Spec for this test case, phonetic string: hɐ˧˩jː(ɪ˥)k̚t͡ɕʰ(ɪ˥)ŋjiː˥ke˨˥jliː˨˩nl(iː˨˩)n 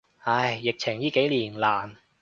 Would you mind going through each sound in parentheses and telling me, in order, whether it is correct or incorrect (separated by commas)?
incorrect, incorrect, incorrect